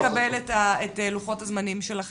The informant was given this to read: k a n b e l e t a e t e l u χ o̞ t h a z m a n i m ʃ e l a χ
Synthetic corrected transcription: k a b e l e t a e t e l u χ o̞ t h a z m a n i m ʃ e l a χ